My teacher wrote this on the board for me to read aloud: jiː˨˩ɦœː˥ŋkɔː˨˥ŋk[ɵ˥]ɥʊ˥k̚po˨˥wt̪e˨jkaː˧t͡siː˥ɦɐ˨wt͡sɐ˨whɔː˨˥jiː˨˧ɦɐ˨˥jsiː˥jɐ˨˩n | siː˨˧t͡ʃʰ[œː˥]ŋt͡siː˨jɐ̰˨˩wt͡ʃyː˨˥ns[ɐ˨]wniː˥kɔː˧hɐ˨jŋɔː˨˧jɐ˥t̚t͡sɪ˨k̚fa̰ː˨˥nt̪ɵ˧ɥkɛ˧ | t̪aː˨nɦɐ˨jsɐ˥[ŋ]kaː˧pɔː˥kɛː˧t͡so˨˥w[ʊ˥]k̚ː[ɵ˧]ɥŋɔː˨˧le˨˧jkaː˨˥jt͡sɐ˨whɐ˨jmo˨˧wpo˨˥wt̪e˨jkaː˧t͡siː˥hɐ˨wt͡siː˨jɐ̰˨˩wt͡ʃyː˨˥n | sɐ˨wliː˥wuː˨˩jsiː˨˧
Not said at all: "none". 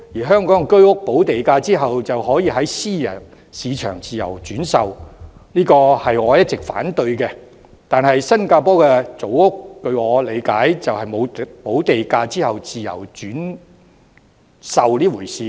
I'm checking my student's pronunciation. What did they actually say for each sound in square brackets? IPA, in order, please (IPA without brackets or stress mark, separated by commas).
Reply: ɵ˥, œː˨˩, ɐ˨, n, ʊ˥, ɵ˧